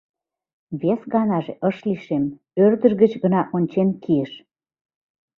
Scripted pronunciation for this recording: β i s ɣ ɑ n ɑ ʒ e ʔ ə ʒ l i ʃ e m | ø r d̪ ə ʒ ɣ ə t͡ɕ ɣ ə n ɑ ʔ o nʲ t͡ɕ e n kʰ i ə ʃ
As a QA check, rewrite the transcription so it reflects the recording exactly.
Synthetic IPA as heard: β e s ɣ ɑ n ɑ ʒ e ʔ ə ʃ l i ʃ e m | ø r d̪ ə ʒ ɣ ə t͡ɕ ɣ ə n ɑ ʔ o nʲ t͡ɕ e n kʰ i ə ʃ